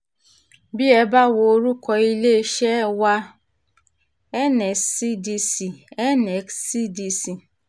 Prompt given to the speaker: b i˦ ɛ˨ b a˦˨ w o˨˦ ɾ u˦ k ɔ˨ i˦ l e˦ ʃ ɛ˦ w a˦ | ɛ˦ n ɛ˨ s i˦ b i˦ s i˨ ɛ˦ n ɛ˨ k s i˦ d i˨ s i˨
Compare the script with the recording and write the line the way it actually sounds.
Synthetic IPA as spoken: b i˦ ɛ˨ b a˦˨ w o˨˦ ɾ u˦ k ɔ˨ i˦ l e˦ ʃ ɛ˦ w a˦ | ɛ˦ n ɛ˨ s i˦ d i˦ s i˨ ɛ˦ n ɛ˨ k s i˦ d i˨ s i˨